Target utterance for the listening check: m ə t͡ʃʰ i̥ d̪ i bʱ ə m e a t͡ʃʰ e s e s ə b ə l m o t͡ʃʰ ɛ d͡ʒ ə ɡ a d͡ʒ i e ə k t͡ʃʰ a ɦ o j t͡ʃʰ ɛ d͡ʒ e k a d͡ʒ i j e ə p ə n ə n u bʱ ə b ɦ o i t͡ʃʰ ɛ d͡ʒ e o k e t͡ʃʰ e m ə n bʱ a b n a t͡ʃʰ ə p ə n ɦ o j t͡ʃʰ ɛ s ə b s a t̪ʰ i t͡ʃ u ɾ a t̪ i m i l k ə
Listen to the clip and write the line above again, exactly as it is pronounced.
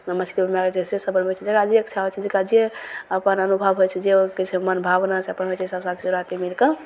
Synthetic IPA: m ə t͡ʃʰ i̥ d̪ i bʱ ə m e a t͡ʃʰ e s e s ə b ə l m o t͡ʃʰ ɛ d͡ʒ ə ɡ a d͡ʒ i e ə k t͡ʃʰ a ɦ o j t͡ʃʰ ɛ d͡ʒ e k a d͡ʒ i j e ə p ə n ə n u bʱ ə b ɦ o j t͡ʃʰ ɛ d͡ʒ e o k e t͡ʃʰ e m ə n bʱ a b n a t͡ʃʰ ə p ə n ɦ o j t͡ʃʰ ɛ s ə b s a t̪ʰ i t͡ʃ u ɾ a t̪ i m i l k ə

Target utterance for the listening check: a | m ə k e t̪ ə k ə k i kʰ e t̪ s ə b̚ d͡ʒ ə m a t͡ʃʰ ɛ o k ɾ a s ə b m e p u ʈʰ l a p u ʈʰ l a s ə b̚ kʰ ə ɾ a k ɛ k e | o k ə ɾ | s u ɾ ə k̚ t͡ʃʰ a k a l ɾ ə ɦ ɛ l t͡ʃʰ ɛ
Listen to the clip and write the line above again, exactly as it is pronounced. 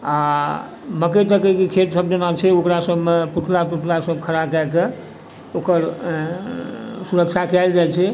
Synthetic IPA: a | m ə k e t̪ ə k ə k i kʰ e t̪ s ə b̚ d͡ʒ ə n a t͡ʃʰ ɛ o k ɾ a s ə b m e p u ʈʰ l a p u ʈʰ l a s ə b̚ kʰ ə ɾ a k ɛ k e | o k ə ɾ | s u ɾ ə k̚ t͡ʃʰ a k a l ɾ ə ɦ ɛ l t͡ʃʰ ɛ

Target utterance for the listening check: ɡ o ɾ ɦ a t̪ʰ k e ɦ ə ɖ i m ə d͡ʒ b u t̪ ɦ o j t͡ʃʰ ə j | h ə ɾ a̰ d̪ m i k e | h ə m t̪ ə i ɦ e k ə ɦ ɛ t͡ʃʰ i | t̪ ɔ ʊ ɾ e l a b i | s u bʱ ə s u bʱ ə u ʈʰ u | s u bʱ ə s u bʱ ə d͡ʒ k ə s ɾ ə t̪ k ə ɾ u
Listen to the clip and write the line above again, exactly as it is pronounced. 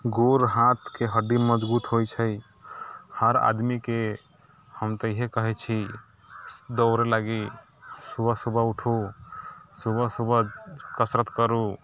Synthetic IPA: ɡ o ɾ ɦ a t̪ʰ k e ɦ ə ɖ i m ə d͡ʒ b u t̪ ɦ o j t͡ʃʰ ə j | h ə ɾ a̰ d̪ m i k e | h ə m t̪ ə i ɦ e k ə ɦ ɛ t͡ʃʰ i | d̪ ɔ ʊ ɾ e l a ɡ i | s u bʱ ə s u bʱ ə u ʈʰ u | s u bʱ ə s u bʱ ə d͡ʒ k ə s ɾ ə t̪ k ə ɾ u

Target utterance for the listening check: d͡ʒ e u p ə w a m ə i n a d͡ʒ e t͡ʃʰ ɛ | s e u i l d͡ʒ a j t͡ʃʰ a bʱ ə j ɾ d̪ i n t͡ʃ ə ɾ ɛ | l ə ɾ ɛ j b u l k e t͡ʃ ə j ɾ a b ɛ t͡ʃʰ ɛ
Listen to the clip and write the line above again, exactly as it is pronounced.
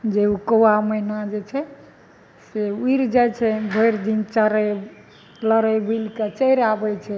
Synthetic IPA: d͡ʒ e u k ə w a m ə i n a d͡ʒ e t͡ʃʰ ɛ | s e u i ɾ d͡ʒ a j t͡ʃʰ ɛ bʱ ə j ɾ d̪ i n t͡ʃ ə ɾ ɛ | l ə ɾ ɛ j b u l k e t͡ʃ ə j ɾ a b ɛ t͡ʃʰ ɛ

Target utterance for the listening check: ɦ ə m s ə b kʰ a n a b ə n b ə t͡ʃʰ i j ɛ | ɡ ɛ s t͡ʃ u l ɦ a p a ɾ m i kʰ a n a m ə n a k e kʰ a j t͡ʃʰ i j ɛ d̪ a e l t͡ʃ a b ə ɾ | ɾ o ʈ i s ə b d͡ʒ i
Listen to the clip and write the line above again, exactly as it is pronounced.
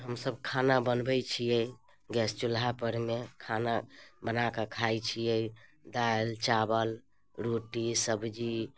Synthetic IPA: ɦ ə m s ə b kʰ a n a b ə n b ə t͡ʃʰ i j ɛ | ɡ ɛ s t͡ʃ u l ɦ a p ə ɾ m e kʰ a n a b ə n a k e kʰ a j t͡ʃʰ i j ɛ d̪ a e l t͡ʃ a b ə l | ɾ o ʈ i s ə b d͡ʒ i

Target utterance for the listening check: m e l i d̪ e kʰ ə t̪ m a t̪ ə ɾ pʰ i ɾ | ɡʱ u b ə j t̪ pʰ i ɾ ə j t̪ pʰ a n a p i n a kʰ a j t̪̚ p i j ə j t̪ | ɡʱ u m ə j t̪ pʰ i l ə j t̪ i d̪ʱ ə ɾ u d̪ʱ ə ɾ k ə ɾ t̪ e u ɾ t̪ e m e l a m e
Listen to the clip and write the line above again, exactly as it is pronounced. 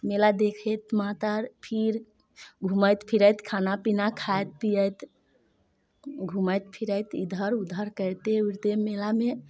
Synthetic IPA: m e l a d̪ e kʰ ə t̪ m a t̪ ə ɾ pʰ i ɾ | ɡʱ u m ə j t̪ pʰ i ɾ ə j t̪ kʰ a n a p i n a kʰ a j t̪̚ p i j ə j t̪ | ɡʱ u m ə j t̪ pʰ i ɾ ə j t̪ i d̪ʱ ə ɾ u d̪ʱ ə ɾ k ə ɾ t̪ e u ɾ t̪ e m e l a m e

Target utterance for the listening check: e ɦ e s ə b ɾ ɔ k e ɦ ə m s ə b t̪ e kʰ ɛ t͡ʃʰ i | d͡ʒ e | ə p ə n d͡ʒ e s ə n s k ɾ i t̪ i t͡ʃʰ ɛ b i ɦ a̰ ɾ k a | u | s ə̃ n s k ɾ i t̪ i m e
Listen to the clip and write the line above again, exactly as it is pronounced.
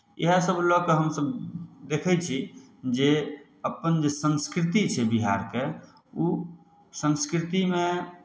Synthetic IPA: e ɦ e s ə b l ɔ k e ɦ ə m s ə b d̪ e kʰ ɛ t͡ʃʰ i | d͡ʒ e | ə p ə n d͡ʒ e s ə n s k ɾ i t̪ i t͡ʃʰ ɛ b i ɦ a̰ ɾ k e | u | s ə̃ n s k ɾ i t̪ i m e

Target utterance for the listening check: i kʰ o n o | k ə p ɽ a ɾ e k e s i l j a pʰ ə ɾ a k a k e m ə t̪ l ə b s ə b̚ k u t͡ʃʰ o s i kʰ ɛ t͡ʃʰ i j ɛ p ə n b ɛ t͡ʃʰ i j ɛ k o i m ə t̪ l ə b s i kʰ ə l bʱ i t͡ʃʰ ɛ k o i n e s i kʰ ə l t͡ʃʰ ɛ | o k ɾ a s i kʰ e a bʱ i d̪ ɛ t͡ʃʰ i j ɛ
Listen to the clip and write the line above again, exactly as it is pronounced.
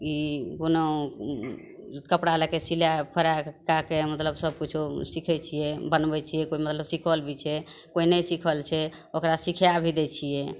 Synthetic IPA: i k o n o | k ə p ɽ a l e k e s i l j a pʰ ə ɾ a k a k e m ə t̪ l ə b s ə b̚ k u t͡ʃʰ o s i kʰ ɛ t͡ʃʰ i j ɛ b ə n b ɛ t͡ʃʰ i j ɛ k o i m ə t̪ l ə b s i kʰ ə l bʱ i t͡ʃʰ ɛ k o i n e s i kʰ ə l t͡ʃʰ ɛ | o k ɾ a s i kʰ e a bʱ i d̪ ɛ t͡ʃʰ i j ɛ

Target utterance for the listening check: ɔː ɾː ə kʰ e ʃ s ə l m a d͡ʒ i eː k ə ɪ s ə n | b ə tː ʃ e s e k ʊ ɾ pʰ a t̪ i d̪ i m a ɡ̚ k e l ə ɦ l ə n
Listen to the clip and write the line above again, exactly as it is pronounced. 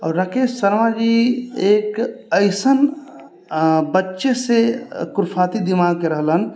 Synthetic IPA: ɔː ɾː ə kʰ e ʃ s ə ɾ m a d͡ʒ i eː k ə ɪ s ə n | b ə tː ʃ e s e k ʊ ɾ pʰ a t̪ i d̪ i m a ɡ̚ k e ɾ ə ɦ l ə n

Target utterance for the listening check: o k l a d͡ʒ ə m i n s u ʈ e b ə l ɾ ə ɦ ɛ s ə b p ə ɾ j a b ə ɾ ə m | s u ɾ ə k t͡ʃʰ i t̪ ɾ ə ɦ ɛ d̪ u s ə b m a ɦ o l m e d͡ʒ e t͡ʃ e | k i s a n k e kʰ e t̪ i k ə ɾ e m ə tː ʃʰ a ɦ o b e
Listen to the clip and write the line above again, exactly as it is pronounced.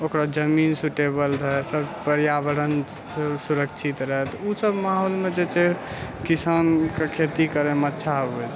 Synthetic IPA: o k ɾ a d͡ʒ ə m i n s u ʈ e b ə l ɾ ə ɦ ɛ s ə b p ə ɾ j a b ə ɾ ə n | s u ɾ ə k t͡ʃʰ i t̪ ɾ ə ɦ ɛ t̪ u s ə b m a ɦ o l m e d͡ʒ e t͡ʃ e | k i s a n k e kʰ e t̪ i k ə ɾ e m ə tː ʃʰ a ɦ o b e

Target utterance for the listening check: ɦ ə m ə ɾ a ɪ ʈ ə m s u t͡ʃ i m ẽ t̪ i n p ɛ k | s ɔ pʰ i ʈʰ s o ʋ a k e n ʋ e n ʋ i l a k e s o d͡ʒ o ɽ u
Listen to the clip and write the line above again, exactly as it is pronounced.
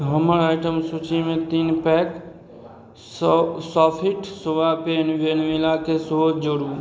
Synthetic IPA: ɦ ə m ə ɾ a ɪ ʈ ə m s u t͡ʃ i m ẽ t̪ i n p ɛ k | s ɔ pʰ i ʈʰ s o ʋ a p e n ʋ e n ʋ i l a k e s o d͡ʒ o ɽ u

